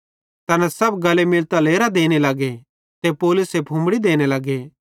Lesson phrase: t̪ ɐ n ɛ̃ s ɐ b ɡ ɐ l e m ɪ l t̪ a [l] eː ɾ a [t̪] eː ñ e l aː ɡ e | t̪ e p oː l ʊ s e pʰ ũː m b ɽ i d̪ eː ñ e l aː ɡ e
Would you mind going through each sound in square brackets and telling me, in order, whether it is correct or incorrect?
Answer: correct, incorrect

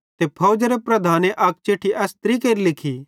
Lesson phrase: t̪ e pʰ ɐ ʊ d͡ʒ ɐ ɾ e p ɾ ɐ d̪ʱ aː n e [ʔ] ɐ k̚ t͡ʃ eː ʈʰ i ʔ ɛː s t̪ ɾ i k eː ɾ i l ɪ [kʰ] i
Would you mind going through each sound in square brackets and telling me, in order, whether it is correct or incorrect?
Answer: correct, correct

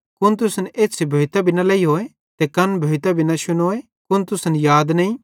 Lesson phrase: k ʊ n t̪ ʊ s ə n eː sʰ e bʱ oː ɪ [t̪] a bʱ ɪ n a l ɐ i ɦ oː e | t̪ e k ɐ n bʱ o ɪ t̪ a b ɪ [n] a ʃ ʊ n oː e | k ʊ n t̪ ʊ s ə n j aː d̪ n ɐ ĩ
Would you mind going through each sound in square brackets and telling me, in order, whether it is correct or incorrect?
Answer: correct, correct

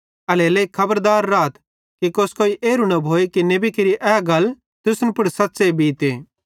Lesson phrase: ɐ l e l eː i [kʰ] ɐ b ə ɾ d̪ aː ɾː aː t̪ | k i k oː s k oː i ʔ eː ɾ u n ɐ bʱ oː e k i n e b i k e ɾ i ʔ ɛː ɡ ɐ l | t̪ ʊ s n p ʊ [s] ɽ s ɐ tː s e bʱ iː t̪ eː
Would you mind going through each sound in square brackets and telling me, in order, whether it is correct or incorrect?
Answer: correct, incorrect

